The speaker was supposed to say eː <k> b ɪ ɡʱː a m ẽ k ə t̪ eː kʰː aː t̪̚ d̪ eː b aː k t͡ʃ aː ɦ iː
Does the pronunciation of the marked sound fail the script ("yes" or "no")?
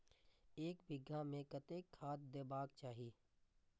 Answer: no